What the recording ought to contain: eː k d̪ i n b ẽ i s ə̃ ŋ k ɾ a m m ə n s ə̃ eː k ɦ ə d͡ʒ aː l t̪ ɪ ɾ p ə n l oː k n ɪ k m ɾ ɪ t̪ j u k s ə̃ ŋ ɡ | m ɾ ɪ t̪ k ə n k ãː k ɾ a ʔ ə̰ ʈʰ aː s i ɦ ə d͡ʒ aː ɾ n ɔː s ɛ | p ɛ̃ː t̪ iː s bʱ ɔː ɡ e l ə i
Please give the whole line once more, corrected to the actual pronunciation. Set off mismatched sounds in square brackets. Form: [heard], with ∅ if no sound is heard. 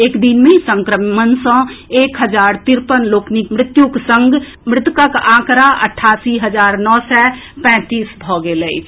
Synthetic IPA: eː k d̪ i n [m] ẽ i s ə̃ ŋ k ɾ [ə] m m ə n s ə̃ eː k ɦ ə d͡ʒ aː [ɾ] t̪ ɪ ɾ p ə n l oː k n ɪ k m ɾ ɪ t̪ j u k s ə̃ ŋ ɡ | m ɾ ɪ t̪ k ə [∅] k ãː k ɾ a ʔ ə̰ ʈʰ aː s i ɦ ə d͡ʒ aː ɾ n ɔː s ɛ | p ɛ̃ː t̪ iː s bʱ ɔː ɡ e l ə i